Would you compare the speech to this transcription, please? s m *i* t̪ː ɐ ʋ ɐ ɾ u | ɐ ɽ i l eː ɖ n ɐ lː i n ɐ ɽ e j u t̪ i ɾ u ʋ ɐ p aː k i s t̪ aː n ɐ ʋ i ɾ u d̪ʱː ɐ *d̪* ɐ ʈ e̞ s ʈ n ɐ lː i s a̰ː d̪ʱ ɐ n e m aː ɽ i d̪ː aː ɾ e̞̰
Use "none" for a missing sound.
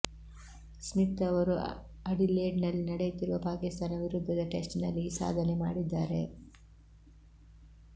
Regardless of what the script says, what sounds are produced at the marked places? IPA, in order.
i, d̪

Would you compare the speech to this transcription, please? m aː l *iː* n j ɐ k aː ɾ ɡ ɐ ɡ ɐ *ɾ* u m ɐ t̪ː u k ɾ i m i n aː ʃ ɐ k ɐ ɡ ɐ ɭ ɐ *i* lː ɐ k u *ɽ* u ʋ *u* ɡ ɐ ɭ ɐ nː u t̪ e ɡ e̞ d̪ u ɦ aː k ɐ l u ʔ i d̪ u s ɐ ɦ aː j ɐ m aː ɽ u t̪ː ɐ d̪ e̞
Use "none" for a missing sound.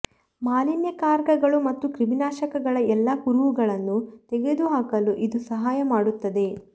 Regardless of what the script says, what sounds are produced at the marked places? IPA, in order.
i, ɭ, ɛ, ɾ, u

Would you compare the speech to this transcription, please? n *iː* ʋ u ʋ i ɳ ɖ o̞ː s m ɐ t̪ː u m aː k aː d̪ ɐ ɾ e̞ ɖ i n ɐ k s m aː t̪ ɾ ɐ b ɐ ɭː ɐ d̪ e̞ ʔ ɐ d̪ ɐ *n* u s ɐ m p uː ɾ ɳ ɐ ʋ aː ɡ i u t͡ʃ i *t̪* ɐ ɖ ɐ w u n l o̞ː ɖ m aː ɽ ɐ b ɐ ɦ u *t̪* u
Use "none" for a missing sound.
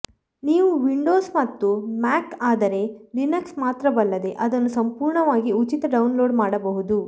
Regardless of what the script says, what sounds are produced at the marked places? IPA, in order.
iː, nː, t̪, d̪

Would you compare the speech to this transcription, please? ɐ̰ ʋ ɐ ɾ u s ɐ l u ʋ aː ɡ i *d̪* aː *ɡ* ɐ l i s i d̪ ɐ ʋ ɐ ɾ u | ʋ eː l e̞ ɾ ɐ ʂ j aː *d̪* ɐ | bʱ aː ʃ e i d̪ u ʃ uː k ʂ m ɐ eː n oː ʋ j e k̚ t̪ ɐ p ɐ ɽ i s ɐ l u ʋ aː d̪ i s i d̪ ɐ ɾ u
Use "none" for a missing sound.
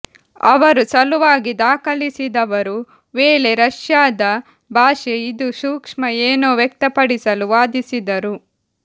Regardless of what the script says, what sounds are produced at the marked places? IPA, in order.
d̪, k, d̪

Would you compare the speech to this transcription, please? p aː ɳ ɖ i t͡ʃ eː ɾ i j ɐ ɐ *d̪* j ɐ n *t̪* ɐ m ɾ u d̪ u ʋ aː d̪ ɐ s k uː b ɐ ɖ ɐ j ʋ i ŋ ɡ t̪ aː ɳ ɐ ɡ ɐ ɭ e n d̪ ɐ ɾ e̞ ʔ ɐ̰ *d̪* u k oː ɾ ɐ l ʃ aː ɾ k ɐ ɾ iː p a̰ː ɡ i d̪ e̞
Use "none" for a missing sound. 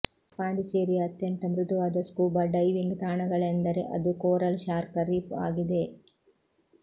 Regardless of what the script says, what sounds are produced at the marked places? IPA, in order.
t̪, t̪, d̪

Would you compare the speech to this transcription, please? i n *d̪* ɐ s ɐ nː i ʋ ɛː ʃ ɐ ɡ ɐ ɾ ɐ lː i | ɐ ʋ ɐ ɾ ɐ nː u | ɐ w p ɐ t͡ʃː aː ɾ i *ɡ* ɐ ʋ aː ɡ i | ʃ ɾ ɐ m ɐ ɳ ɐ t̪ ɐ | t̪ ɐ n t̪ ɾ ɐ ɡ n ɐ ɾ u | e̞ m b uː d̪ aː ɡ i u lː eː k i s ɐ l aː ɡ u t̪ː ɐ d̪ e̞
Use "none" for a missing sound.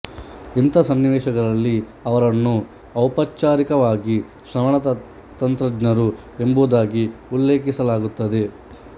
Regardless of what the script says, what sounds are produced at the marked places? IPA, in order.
t̪, k

